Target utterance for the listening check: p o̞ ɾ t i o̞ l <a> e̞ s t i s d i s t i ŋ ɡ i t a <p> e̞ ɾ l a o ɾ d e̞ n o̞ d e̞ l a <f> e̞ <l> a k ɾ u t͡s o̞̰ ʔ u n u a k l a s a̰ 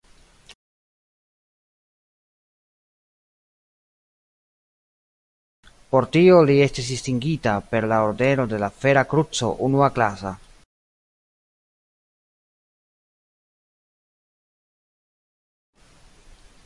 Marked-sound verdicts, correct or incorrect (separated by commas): incorrect, correct, correct, incorrect